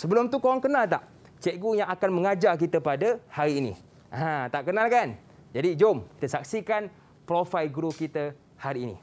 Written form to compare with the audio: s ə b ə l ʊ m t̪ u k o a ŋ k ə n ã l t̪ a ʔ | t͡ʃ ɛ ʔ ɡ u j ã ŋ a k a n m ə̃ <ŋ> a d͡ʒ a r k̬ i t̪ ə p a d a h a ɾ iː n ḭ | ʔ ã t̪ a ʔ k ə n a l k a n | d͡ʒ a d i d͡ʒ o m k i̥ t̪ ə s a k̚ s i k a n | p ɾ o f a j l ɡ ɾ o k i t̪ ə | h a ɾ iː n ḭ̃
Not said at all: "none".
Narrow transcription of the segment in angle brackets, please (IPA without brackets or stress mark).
ŋ